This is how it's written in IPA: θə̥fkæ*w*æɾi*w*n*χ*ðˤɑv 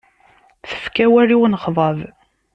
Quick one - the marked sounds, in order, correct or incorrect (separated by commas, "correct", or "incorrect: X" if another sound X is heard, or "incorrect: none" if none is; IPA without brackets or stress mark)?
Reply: correct, correct, correct